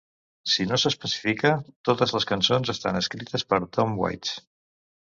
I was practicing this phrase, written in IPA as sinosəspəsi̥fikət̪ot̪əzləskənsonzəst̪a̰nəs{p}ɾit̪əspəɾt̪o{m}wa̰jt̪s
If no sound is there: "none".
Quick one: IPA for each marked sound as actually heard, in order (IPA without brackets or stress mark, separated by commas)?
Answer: k, m